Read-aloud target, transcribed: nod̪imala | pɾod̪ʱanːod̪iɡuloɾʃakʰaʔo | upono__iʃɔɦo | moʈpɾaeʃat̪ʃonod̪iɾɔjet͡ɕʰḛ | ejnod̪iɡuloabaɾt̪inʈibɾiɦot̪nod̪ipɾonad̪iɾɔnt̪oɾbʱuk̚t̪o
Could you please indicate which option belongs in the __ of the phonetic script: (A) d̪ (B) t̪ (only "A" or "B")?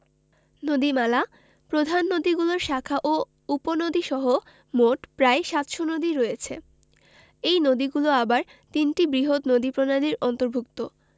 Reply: A